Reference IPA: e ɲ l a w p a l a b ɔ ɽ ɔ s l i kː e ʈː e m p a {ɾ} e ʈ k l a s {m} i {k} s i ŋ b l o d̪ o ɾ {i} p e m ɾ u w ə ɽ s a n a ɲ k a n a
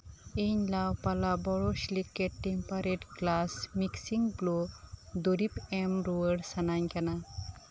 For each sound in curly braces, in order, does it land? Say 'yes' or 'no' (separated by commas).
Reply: yes, yes, yes, yes